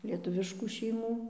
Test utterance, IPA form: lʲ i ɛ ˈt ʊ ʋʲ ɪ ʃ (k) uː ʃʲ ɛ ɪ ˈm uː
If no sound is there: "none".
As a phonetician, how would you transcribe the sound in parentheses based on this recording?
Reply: k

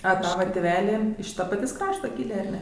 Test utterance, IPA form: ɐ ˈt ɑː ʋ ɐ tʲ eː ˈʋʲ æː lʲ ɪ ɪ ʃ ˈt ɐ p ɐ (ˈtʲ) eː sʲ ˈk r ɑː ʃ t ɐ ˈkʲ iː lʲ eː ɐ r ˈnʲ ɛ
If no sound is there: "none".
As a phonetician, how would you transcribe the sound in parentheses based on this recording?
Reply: tʲ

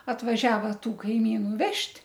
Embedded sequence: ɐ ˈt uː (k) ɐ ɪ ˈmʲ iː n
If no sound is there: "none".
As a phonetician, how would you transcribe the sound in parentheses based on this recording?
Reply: k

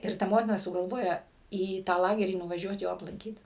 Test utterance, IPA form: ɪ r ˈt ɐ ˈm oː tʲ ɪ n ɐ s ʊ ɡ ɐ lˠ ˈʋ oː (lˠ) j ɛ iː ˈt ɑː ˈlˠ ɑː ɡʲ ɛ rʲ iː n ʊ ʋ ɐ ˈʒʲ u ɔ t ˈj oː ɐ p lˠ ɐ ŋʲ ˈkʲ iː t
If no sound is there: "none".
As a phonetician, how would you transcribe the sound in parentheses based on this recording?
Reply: none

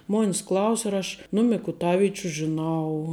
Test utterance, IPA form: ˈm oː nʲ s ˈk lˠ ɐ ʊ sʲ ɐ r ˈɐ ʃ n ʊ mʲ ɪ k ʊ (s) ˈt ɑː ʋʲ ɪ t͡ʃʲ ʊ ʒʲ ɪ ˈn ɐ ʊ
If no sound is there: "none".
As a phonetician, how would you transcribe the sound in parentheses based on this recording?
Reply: none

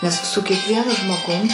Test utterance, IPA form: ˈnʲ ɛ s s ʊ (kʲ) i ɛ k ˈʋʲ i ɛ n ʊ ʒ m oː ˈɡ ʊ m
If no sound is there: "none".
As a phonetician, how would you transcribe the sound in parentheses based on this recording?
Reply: kʲ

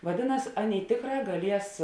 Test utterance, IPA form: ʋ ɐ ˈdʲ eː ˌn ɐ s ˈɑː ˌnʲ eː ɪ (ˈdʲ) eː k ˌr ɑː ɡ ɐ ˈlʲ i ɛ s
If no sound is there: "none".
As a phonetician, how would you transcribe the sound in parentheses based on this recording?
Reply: tʲ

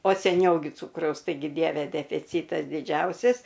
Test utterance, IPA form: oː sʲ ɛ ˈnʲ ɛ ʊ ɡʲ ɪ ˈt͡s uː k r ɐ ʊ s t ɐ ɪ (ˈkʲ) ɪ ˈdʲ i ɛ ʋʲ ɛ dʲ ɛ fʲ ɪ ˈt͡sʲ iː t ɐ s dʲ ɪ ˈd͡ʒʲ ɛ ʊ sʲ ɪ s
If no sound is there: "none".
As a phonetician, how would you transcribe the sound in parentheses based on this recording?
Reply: ɡʲ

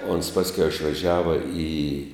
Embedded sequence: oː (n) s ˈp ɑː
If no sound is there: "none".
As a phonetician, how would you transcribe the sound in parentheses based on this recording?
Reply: n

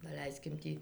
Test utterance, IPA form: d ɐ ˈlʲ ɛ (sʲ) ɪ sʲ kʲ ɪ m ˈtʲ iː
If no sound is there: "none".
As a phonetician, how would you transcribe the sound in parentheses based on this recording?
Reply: none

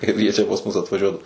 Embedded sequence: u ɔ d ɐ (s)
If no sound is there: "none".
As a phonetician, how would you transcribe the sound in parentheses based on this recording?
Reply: none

